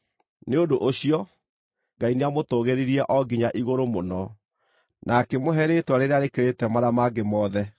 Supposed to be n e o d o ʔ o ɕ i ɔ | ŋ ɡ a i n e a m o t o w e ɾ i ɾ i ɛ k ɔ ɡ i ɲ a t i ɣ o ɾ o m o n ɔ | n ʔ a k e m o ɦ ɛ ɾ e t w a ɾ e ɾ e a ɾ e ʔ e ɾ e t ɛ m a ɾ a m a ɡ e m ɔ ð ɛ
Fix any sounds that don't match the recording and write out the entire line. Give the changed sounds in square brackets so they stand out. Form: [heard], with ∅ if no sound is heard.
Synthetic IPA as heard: n e o d o ʔ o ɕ i ɔ | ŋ ɡ a i n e a m o t o [ɣ] e ɾ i ɾ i ɛ [ʔ] ɔ ɡ i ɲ a [ʔ] i ɣ o ɾ o m o n ɔ | n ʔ a k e m o ɦ ɛ ɾ e t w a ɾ e ɾ e a ɾ e [k] e ɾ e t ɛ m a ɾ a m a ɡ e m ɔ ð ɛ